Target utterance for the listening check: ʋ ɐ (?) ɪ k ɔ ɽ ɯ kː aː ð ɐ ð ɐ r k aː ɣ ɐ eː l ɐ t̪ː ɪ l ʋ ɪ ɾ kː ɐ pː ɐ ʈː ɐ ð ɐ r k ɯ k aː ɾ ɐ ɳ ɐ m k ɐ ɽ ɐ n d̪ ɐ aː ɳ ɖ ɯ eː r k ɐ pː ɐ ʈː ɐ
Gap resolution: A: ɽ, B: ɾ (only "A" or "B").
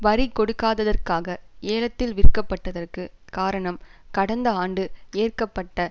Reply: B